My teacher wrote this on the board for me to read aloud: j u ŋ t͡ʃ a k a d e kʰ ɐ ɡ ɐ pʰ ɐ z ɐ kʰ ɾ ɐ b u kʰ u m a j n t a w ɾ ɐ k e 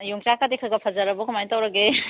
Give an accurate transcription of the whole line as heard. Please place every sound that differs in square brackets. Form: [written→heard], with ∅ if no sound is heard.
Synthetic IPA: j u ŋ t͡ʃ a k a d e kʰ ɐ ɡ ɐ pʰ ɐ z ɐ [kʰ→∅] ɾ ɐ b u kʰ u m a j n t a w ɾ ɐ [k→ɡ] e